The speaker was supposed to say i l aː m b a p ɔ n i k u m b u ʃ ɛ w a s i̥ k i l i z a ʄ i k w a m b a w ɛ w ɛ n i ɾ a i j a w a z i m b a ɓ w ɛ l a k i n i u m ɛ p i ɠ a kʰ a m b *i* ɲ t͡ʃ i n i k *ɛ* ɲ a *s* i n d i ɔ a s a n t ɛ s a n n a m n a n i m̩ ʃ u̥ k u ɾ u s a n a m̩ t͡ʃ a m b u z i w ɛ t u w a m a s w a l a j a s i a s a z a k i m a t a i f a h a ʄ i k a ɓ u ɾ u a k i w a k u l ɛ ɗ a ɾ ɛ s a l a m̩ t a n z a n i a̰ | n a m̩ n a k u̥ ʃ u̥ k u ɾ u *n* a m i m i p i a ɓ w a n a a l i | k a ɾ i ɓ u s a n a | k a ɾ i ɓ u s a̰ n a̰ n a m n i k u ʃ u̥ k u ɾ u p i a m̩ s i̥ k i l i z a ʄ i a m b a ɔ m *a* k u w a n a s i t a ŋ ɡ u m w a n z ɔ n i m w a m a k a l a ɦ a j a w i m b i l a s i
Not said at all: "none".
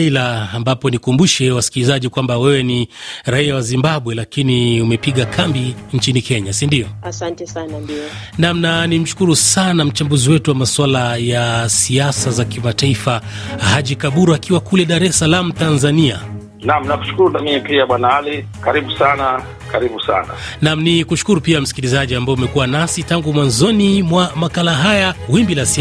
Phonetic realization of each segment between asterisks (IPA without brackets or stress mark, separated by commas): i, ɛ, s, n, ɛ